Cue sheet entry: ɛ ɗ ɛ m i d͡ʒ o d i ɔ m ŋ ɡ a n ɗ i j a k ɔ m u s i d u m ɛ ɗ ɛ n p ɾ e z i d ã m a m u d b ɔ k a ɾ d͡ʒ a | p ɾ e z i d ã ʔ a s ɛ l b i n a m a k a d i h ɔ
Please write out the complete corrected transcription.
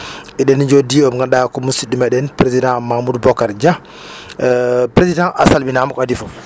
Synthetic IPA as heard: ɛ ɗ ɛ n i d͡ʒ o d i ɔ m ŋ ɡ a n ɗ a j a k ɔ m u s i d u m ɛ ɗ ɛ n p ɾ e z i d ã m a m u d b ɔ k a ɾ d͡ʒ a | p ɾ e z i d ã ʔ a s a l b i n a m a k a d i f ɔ

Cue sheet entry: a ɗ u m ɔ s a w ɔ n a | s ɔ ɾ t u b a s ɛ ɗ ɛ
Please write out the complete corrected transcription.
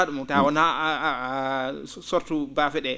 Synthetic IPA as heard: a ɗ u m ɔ t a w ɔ n a | s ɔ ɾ t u b a f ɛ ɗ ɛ

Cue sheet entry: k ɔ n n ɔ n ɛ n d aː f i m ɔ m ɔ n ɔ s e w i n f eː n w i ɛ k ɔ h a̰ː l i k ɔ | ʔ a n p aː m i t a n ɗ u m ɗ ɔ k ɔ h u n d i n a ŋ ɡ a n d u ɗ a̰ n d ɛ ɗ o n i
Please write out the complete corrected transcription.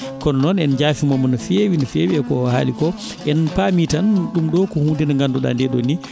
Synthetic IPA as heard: k ɔ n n ɔ n ɛ n d͡ʒ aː f i m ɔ m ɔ n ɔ f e w i n f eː w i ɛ k ɔ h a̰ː l i k ɔ | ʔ ɛ n p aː m i t a n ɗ u m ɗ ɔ k ɔ h u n d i n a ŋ ɡ a n d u ɗ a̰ n d ɛ ɗ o n i

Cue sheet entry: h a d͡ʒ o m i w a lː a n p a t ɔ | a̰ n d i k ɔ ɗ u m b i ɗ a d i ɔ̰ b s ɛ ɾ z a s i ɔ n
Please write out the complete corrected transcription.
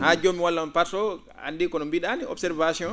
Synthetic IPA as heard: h a d͡ʒ o m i w a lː a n p a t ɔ | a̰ n d i k ɔ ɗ ɔ m b i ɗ a n i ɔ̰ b s ɛ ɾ v a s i ɔ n

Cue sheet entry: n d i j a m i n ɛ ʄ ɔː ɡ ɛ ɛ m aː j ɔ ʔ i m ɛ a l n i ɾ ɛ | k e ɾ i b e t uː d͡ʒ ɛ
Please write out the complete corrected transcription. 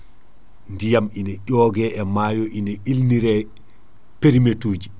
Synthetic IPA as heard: n d i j a m i n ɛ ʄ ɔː ɡ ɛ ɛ m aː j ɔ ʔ i n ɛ i l n i ɾ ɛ | p e ɾ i m e t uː d͡ʒ i

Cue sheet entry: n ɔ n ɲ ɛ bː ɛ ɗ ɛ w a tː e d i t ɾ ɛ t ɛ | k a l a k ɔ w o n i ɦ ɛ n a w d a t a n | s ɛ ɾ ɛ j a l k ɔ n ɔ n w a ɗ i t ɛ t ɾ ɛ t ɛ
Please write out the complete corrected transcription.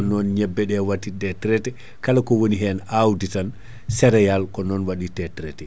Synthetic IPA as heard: n ɔ n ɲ ɛ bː ɛ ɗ ɛ w a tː i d ɛ t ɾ ɛ t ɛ | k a l a k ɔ w o n i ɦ ɛ n a w d i t a n | s ɛ ɾ ɛ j a l k ɔ n ɔ n w a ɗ i t ɛ t ɾ ɛ t ɛ

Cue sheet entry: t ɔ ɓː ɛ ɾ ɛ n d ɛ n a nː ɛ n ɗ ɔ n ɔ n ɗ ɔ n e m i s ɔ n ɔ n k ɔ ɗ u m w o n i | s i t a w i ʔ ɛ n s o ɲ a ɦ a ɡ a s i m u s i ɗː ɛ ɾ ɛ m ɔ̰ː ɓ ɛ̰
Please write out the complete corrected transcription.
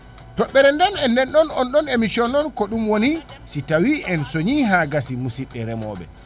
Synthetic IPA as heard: t ɔ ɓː ɛ ɾ ɛ n d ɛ n ɛ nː ɛ n ɗ ɔ n ɔ n ɗ ɔ n e m i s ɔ n ɔ n k ɔ ɗ u m w o n i | s i t a w i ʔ ɛ n s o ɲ i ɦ a ɡ a s i m u s i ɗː ɛ ɾ ɛ m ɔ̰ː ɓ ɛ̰

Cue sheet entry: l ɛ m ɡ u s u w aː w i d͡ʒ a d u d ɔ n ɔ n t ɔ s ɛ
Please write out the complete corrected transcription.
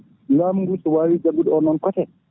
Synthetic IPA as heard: l a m ɡ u s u w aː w i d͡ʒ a ɡ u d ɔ n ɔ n k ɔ t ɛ

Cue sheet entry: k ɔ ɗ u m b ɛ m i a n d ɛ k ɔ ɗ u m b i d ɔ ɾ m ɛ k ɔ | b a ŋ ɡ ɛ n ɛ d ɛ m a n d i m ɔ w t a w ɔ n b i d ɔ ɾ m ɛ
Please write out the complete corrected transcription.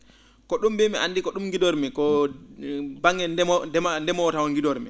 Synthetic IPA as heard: k ɔ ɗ u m b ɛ m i a n d i k ɔ ɗ u m ɡ i d ɔ ɾ m ɛ k ɔ | b a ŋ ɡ ɛ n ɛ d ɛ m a n d ɛ m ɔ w t a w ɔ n ɡ i d ɔ ɾ m ɛ

